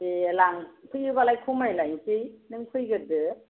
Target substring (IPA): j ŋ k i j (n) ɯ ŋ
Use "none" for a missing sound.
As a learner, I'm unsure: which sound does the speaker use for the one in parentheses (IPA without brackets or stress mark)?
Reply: n